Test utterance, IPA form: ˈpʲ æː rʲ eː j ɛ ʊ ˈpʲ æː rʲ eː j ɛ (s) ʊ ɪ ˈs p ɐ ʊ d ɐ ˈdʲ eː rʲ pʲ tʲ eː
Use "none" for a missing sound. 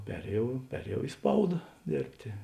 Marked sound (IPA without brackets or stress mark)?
none